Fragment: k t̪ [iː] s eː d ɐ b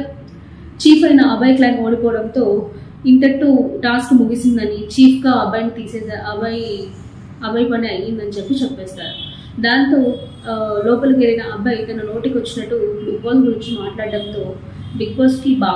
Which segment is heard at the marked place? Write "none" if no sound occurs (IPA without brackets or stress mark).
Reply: iː